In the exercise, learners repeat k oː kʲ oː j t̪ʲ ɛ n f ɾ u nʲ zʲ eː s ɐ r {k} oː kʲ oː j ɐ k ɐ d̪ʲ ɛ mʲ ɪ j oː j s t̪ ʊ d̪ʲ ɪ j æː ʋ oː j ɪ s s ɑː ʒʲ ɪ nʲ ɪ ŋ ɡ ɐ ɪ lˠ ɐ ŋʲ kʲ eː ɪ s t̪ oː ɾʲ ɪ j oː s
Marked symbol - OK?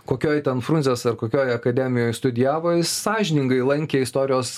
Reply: yes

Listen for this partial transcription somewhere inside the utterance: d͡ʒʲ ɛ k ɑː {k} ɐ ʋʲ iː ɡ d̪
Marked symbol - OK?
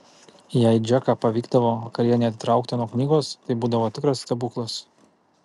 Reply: no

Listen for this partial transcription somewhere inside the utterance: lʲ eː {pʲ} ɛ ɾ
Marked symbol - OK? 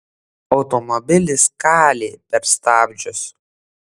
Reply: yes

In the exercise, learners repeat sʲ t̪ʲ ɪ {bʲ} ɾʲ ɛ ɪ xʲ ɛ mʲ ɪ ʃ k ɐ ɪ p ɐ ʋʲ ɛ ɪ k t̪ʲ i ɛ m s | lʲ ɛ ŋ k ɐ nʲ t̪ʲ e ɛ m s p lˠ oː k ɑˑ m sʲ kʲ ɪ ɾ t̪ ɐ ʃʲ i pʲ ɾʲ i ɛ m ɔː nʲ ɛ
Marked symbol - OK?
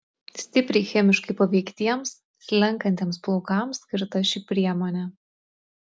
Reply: no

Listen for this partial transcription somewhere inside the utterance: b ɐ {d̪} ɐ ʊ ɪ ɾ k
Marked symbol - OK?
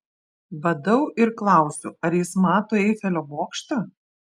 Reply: yes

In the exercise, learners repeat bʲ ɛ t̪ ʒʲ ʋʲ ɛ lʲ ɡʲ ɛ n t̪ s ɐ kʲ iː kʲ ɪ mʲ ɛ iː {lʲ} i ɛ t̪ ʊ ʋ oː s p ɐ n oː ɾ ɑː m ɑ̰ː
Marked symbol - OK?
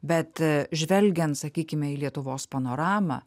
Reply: yes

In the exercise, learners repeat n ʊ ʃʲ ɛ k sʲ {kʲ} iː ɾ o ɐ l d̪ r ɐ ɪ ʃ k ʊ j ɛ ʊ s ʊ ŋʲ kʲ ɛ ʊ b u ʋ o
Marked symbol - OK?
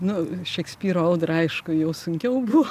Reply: no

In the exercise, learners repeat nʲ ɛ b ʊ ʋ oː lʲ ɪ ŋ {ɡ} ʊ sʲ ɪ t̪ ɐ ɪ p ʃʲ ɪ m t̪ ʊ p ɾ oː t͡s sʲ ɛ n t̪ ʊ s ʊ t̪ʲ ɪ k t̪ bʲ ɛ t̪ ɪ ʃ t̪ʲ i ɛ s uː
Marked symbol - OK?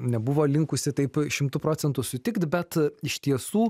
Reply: no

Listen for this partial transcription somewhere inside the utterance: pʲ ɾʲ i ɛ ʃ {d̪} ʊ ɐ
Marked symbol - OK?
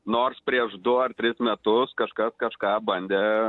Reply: yes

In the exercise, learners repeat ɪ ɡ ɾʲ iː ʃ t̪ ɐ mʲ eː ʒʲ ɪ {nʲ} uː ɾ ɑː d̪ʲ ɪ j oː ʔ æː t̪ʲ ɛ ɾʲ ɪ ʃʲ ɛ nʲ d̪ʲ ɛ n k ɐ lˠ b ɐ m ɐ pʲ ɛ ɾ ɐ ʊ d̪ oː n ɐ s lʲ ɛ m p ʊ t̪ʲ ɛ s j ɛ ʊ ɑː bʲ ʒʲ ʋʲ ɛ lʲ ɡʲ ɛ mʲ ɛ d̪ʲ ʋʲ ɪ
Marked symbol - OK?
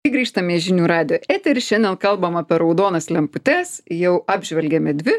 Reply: yes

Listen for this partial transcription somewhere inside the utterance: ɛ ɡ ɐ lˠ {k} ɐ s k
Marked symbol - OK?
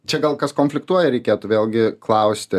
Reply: yes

